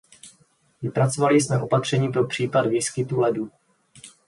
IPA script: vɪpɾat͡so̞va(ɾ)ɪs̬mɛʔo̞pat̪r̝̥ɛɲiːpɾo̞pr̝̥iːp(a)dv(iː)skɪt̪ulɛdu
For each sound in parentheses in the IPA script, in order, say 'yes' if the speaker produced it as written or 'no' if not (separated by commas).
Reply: no, yes, yes